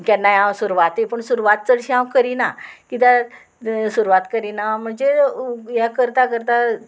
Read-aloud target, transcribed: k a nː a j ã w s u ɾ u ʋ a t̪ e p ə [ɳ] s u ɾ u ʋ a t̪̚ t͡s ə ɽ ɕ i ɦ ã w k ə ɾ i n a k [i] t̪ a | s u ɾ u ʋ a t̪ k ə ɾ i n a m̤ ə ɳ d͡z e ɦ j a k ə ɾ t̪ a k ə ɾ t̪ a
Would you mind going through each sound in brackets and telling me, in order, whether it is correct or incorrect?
correct, correct

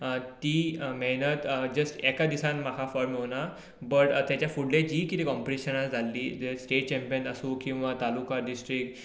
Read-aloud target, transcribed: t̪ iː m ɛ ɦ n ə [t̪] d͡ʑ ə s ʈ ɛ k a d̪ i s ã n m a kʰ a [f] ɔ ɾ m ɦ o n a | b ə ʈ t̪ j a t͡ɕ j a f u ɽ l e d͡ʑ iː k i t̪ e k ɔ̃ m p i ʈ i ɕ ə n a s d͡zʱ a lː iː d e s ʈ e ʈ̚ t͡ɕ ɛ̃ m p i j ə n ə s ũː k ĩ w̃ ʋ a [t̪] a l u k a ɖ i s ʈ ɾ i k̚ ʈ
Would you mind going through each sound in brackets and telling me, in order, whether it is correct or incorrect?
correct, correct, correct

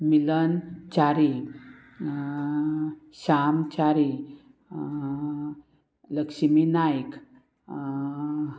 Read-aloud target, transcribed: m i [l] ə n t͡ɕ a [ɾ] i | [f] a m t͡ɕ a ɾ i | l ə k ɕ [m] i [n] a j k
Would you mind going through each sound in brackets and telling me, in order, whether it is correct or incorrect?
correct, correct, incorrect, correct, correct

